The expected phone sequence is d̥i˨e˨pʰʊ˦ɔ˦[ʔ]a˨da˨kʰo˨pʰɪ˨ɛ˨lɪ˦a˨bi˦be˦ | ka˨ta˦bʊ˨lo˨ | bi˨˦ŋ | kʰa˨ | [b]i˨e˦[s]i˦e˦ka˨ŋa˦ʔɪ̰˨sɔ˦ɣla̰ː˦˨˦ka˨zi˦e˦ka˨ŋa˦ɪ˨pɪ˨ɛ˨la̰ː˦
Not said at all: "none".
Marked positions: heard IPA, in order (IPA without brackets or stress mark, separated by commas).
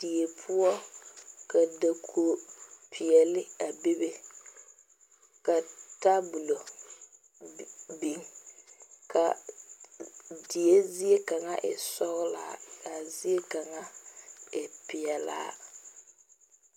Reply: k, d, z